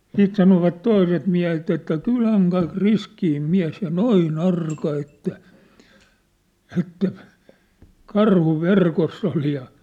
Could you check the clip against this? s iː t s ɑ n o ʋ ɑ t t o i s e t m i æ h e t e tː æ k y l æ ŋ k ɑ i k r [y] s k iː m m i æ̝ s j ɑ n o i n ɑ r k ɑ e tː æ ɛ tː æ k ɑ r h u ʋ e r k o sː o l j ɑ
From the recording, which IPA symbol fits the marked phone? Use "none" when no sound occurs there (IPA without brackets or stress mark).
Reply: i